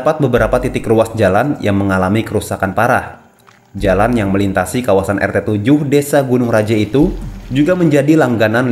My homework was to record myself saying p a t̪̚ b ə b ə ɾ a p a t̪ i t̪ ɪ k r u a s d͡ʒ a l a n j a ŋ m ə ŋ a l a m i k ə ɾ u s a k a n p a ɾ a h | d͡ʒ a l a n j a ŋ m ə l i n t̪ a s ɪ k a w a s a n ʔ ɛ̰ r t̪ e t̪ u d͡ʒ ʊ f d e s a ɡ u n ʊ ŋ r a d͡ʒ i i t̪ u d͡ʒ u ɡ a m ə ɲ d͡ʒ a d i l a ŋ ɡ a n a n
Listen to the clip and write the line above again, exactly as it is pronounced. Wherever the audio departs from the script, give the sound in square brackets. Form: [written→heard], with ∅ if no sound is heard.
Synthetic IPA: p a t̪̚ b ə b ə ɾ a p a t̪ i t̪ ɪ k r u a s d͡ʒ a l a n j a ŋ m ə ŋ a l a m i k ə ɾ u s a k a n p a ɾ a h | d͡ʒ a l a n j a ŋ m ə l i n t̪ a s [ɪ→i] k a w a s a n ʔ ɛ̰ r t̪ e t̪ u d͡ʒ ʊ [f→h] d e s a ɡ u n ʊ ŋ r a d͡ʒ [i→a] i t̪ u d͡ʒ u ɡ a m ə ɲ d͡ʒ a d i l a ŋ ɡ a n a n